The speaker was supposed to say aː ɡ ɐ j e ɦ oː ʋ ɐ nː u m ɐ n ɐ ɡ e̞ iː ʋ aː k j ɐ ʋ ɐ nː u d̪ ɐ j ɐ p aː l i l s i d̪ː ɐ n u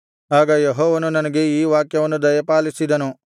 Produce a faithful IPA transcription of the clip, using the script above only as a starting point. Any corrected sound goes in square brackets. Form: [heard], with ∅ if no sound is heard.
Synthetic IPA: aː ɡ ɐ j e ɦ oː ʋ ɐ [n] u [n] ɐ n ɐ ɡ e̞ iː ʋ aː k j ɐ ʋ ɐ nː u d̪ ɐ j ɐ p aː l i [∅] s i [d̪] ɐ n u